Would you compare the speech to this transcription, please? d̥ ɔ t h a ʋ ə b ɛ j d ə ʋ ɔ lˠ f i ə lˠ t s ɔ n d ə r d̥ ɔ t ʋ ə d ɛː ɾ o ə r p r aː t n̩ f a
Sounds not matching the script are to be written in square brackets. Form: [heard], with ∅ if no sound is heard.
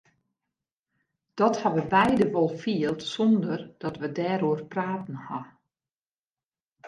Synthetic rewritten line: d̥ ɔ t h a ʋ ə b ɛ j d ə ʋ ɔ lˠ f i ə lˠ t s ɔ n d ə r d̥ ɔ t ʋ ə d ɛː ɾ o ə r p r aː t n̩ [h] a